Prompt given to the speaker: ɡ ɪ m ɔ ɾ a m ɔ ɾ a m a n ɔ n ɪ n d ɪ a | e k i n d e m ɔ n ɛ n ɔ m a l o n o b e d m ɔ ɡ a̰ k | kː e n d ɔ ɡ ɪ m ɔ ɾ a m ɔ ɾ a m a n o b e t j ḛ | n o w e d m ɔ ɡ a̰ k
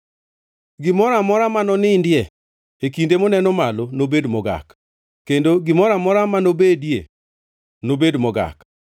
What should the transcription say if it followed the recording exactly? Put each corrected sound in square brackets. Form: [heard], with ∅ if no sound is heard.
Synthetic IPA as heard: ɡ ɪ m ɔ ɾ a m ɔ ɾ a m a n ɔ n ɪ n d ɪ [ɛ] | e k i n d e m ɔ n ɛ n ɔ m a l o n o b e d m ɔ ɡ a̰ k | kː e n d [o] ɡ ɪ m ɔ ɾ a m ɔ ɾ a m a n o b e [d] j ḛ | n o [b] e d m ɔ ɡ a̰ k